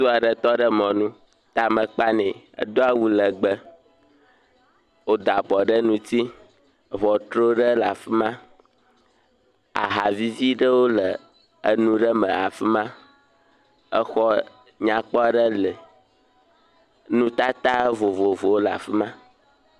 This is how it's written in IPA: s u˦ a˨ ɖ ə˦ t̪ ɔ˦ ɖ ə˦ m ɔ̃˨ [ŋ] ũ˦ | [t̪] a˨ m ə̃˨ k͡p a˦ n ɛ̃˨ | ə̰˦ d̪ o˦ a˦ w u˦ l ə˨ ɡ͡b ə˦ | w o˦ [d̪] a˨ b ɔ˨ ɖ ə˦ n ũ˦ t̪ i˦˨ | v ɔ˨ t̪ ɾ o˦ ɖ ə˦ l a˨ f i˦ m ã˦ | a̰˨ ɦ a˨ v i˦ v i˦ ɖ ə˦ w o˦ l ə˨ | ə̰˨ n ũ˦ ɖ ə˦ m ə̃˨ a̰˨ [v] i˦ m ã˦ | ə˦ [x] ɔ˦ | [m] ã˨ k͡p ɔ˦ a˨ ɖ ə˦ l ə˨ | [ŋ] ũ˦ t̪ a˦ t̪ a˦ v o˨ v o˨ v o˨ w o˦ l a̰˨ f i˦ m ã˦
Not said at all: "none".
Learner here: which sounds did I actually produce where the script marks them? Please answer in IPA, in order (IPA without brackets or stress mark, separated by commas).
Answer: n, t̪, d̪, f, x, ɲ, n